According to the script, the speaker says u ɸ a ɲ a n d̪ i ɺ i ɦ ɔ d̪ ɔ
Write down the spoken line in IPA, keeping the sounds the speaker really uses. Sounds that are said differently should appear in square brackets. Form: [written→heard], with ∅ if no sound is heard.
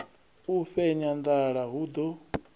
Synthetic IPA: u ɸ [a→ɛ] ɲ a n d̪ [i→a] ɺ [i→a] ɦ [ɔ→u] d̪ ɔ